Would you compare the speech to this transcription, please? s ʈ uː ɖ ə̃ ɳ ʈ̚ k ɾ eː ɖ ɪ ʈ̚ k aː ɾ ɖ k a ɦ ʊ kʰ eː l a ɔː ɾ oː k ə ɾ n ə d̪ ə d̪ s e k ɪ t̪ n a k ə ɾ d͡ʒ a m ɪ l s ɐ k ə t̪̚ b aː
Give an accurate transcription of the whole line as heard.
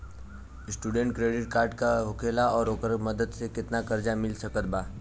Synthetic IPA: s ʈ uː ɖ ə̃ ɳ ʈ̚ k ɾ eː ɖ ɪ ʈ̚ k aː ɾ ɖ k a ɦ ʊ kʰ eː l a ɔː ɾ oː k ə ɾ m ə d̪ ə d̪ s e k ɪ t̪ n a k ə ɾ d͡ʒ a m ɪ l s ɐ k ə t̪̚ b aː

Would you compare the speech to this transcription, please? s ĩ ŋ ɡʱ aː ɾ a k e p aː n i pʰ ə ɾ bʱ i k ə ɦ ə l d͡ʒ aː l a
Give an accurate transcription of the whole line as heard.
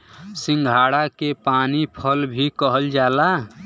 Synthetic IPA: s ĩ ŋ ɡʱ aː ɽ a k e p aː n i pʰ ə l bʱ i k ə ɦ ə l d͡ʒ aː l a

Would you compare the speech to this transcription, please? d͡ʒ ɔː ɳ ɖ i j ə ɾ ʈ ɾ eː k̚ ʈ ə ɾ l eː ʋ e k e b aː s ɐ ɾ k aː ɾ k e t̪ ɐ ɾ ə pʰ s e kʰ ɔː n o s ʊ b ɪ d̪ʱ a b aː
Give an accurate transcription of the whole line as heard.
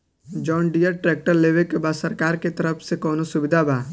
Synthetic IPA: d͡ʒ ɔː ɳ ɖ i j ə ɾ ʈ ɾ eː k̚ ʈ ə ɾ l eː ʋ e k e b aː s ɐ ɾ k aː ɾ k e t̪ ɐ ɾ ə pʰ s e k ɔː n o s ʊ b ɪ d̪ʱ a b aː

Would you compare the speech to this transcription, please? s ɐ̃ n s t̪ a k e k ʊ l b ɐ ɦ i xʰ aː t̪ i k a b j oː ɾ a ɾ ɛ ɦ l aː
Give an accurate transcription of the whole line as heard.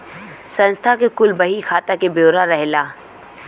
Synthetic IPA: s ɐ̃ n s t̪ʰ a k e k ʊ l b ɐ ɦ i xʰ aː t̪ a k e b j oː ɾ a ɾ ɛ ɦ l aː

